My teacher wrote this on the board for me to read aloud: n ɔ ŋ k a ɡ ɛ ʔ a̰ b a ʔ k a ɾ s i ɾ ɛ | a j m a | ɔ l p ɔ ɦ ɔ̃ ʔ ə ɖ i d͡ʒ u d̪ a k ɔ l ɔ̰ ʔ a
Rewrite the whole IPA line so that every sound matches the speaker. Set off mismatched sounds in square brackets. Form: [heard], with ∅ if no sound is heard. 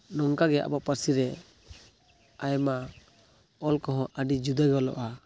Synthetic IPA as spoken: n ɔ ŋ k a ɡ ɛ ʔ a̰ b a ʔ [p] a ɾ s i ɾ ɛ | a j m a | ɔ l [k] ɔ ɦ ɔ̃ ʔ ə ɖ i d͡ʒ u d̪ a [ɡ] ɔ l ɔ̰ ʔ a